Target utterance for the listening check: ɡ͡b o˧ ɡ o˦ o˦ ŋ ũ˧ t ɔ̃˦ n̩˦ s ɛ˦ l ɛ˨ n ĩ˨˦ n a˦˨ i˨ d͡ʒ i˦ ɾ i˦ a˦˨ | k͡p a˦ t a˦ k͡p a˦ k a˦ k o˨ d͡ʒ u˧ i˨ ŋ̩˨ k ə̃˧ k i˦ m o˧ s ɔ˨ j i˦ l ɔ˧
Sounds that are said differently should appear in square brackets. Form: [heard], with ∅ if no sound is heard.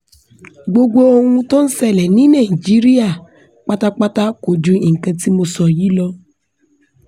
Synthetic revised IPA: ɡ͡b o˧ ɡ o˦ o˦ ŋ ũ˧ t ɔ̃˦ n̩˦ s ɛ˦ l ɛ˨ n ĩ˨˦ n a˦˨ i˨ d͡ʒ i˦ ɾ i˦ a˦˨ | k͡p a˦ t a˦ k͡p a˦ [t] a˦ k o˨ d͡ʒ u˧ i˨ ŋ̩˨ k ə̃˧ [t] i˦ m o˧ s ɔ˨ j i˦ l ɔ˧

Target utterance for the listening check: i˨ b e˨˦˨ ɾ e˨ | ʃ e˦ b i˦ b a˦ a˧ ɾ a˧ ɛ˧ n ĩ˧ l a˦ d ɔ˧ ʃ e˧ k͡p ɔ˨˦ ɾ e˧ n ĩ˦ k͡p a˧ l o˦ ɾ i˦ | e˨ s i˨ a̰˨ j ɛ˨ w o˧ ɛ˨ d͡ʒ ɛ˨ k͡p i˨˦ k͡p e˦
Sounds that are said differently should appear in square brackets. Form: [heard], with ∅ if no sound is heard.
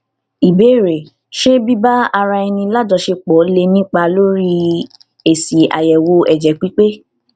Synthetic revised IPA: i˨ b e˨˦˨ ɾ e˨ | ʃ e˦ b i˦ b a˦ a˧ ɾ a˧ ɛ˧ n ĩ˧ l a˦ d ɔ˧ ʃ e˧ k͡p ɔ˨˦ [l] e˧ n ĩ˦ k͡p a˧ l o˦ ɾ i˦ | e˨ s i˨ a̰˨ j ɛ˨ w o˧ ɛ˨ d͡ʒ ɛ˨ k͡p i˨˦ k͡p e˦

